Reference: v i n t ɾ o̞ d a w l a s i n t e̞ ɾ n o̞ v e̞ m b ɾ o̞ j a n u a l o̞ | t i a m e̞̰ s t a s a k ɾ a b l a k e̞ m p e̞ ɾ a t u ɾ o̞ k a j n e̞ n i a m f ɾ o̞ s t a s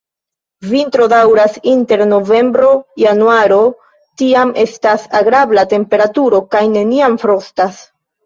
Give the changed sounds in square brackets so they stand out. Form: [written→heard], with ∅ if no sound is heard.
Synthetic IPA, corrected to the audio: v i n t ɾ o̞ d a w [l→ɾ] a s i n t e̞ ɾ n o̞ v e̞ m b ɾ o̞ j a n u a [l→ɾ] o̞ | t i a m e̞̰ s t a s a [k→ɡ] ɾ a b l a [k→t] e̞ m p e̞ ɾ a t u ɾ o̞ k a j n e̞ n i a m f ɾ o̞ s t a s